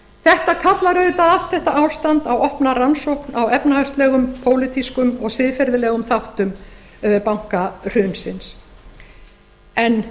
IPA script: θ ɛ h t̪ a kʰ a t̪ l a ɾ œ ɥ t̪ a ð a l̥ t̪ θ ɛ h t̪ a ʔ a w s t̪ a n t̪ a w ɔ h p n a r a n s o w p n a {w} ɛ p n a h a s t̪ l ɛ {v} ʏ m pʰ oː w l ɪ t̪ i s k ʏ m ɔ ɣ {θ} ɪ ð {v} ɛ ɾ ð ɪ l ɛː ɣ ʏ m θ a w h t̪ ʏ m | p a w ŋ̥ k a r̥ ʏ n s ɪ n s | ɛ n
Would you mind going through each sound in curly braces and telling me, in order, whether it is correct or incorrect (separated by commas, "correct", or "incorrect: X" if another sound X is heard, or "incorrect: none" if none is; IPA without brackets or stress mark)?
correct, incorrect: ɣ, incorrect: s, incorrect: f